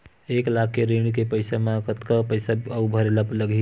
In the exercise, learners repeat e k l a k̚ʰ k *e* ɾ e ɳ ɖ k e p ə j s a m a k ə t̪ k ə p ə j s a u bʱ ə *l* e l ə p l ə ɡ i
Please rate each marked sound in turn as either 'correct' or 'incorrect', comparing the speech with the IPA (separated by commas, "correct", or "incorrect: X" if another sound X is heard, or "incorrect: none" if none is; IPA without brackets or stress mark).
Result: correct, incorrect: ɾ